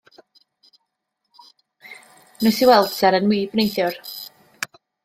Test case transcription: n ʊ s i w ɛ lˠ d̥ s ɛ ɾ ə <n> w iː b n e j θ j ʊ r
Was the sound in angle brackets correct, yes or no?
yes